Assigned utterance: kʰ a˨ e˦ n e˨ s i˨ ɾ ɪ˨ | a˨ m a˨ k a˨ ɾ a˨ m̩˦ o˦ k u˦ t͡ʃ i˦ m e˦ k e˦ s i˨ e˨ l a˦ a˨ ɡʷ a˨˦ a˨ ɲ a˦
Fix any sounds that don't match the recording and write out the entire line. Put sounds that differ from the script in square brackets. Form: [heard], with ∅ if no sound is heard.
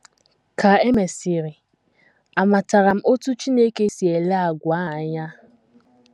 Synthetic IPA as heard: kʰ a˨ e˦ [m] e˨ s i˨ ɾ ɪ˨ | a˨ m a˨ [t] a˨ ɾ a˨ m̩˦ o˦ [t] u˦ t͡ʃ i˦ [n] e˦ k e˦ s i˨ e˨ l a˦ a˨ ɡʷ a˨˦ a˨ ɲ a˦